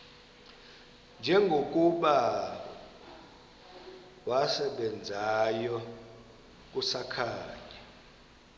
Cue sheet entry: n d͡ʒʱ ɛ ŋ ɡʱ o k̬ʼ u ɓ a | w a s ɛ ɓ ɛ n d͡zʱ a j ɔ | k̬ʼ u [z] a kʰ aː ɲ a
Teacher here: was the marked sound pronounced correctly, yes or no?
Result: no